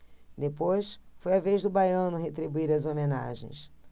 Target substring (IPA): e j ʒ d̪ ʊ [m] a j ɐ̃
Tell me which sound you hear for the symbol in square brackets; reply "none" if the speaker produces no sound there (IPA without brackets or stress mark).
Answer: b